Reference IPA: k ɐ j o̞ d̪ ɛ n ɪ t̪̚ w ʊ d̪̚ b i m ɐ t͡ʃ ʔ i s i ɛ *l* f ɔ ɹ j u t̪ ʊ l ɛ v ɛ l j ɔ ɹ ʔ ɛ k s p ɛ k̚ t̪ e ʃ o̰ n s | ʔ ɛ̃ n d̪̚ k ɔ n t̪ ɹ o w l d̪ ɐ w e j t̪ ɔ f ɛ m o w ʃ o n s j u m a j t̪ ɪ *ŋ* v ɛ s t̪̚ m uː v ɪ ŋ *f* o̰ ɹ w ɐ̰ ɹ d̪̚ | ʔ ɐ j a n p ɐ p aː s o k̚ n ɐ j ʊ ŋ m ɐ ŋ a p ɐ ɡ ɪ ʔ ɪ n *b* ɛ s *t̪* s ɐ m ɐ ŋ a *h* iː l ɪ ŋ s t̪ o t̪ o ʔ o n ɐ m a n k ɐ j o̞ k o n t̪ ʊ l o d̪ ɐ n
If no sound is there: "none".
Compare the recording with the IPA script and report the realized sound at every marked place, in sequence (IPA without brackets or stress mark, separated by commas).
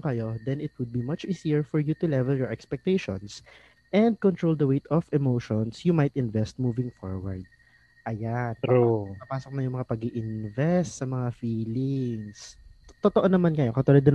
ɹ, n, f, v, t̪, f